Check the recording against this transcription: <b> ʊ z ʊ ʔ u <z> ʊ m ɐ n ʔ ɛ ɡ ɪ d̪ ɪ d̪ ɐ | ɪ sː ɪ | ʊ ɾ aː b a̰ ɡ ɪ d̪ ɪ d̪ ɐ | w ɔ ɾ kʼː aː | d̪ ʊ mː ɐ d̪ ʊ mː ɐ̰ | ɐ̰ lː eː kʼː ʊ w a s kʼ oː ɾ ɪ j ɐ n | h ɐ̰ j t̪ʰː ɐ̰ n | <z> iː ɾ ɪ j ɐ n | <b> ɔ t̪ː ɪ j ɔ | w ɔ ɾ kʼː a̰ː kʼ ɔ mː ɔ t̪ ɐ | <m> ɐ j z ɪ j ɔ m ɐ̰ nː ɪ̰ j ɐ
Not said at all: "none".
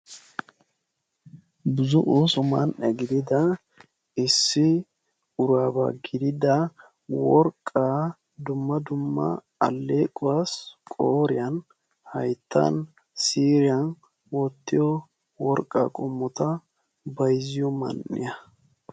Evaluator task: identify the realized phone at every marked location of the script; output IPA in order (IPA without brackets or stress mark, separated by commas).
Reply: b, s, s, w, b